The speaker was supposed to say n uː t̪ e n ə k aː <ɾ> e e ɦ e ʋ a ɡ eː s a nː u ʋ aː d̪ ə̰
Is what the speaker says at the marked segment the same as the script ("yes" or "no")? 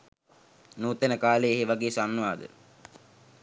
no